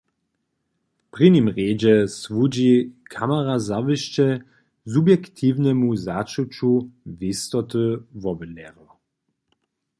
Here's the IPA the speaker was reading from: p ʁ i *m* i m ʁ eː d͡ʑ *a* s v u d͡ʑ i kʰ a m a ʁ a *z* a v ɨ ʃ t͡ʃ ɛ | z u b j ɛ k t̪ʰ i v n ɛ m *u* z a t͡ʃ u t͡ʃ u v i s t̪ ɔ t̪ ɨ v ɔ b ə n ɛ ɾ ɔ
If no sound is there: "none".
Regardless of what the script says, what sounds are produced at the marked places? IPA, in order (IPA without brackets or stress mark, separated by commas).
n, ɛ, z, u